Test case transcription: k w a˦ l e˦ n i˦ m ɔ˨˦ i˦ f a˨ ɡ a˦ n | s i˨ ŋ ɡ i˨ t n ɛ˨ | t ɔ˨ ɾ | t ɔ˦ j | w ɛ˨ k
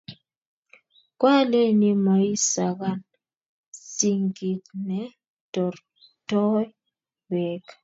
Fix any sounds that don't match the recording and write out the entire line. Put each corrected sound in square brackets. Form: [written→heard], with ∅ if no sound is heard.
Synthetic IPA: k w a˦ l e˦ n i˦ m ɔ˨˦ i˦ [f→s] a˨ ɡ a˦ n | s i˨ ŋ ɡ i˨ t n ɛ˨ | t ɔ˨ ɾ | t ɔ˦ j | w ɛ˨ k